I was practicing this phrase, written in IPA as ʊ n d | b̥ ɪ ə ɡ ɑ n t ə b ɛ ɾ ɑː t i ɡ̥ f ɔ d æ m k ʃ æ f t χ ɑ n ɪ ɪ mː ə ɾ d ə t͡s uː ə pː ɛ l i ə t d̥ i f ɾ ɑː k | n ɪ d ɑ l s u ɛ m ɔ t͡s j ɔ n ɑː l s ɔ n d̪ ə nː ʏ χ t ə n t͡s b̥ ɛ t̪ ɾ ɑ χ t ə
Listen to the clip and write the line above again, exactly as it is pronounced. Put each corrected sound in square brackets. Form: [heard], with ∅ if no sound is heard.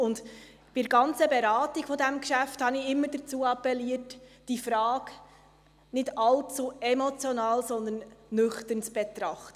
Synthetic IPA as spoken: ʊ n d | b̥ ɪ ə ɡ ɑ n [t͡s] ə b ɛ ɾ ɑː t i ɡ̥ f ɔ d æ m k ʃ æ f t [h] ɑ n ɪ ɪ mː ə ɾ d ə t͡s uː [ɑ] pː ɛ l i ə t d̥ i f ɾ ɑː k | n ɪ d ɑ l [t͡s] u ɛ m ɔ t͡s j ɔ n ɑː l s ɔ n d̪ ə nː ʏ χ t ə n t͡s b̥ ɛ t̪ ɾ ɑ χ t ə